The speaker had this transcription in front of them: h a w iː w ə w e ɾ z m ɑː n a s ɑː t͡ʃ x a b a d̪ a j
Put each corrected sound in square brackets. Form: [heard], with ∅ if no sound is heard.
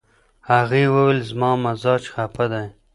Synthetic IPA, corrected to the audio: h a [ɣ] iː w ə w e [l] z m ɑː [m] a [z] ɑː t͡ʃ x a [p] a d̪ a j